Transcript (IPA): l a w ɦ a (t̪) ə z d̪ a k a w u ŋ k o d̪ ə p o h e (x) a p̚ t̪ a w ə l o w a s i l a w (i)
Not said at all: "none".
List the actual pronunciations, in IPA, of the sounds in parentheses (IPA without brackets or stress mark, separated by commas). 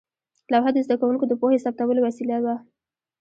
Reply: d̪, s, a